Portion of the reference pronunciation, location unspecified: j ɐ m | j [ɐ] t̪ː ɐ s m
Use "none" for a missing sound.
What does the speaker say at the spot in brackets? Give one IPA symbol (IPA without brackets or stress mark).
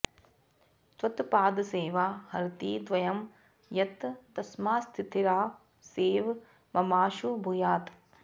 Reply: ɐ